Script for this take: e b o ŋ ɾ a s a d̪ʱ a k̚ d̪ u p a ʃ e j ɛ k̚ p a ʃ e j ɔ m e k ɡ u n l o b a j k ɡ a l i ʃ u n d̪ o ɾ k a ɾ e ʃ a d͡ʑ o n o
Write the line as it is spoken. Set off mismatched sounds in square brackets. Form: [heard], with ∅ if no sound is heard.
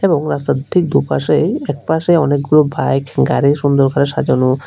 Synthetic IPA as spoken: e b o ŋ ɾ a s a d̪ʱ [i] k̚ d̪ u p a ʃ e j ɛ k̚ p a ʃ e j ɔ [n] e k ɡ u [∅] l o b a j k ɡ a [ɾ] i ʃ u n d̪ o ɾ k a ɾ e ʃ a d͡ʑ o n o